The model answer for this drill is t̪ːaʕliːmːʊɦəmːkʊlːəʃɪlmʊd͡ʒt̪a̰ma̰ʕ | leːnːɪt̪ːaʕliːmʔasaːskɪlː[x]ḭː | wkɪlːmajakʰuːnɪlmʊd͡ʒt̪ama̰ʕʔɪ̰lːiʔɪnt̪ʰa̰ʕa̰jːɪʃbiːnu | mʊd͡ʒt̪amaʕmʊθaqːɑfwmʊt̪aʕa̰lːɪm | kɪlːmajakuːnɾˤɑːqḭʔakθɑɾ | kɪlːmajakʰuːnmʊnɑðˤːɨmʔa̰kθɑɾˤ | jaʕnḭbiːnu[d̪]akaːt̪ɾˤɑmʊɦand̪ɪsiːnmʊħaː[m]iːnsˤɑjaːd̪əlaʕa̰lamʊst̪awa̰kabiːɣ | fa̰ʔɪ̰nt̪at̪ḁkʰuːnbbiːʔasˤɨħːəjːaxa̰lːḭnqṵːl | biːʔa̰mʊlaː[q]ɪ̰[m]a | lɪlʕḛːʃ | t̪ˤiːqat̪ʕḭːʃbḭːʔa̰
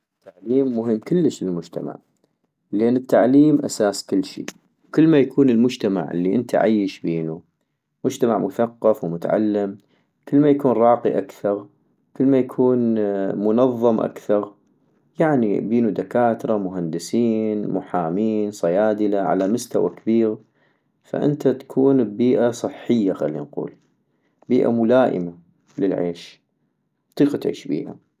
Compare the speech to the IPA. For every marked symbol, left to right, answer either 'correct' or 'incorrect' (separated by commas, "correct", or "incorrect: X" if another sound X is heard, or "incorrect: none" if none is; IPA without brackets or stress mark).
incorrect: ʃ, correct, correct, incorrect: ʔ, correct